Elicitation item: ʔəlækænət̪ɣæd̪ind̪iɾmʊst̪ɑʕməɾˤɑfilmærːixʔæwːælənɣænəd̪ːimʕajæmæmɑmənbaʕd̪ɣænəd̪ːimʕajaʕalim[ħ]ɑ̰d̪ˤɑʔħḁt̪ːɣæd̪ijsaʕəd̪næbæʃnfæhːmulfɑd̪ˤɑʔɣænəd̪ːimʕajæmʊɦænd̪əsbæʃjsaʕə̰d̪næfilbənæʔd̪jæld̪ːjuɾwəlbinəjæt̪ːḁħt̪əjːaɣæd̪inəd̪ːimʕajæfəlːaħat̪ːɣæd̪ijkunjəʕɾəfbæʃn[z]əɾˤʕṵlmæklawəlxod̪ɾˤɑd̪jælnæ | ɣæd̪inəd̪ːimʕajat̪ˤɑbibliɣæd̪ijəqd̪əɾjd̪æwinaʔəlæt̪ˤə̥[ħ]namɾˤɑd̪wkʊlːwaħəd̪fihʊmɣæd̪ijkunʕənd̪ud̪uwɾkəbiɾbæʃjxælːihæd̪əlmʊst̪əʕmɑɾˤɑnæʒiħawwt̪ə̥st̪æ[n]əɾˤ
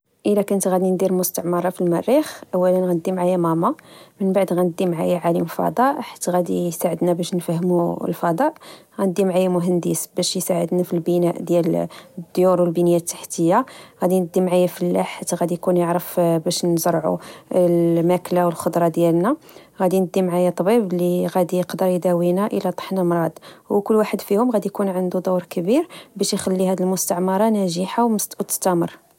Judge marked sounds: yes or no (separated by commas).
no, yes, yes, no